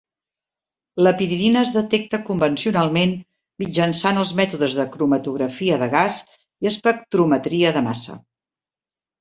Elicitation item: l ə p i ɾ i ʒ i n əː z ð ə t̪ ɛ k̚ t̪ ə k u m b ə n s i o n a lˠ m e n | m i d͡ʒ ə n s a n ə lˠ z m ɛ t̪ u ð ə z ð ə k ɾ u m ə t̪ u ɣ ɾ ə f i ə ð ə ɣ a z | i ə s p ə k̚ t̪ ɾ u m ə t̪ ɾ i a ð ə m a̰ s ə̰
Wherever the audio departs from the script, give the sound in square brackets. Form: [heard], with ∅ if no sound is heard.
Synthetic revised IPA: l ə p i ɾ i [ð] i n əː z ð ə t̪ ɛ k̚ t̪ ə k u m b ə n s i [u] n a lˠ m e n | m i d͡ʒ ə n s a n ə lˠ z m ɛ t̪ u ð ə z ð ə k ɾ u m ə t̪ u ɣ ɾ ə f i ə ð ə ɣ a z | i ə s p ə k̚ t̪ ɾ u m ə t̪ ɾ i [ə] ð ə m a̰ s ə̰